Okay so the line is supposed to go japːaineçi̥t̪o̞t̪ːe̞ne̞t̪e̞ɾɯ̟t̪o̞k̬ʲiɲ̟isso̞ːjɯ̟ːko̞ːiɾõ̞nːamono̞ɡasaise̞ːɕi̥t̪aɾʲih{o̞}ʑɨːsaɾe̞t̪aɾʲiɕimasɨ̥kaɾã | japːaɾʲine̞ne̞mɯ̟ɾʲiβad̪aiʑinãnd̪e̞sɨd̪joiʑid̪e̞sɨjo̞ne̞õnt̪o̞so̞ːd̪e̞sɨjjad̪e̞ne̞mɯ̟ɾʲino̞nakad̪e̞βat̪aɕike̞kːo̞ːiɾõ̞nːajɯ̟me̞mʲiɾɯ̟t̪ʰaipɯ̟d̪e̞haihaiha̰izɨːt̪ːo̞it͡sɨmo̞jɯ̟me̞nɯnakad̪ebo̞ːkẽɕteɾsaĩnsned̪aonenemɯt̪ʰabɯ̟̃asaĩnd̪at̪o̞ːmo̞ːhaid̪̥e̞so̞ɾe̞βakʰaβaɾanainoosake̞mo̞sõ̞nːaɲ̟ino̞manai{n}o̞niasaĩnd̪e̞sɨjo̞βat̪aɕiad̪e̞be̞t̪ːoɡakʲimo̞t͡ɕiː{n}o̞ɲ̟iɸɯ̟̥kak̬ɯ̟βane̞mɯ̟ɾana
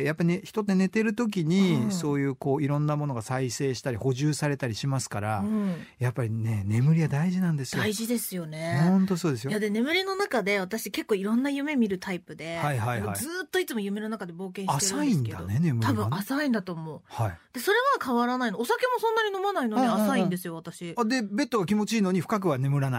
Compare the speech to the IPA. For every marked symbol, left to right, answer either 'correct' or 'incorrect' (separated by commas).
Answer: correct, correct, correct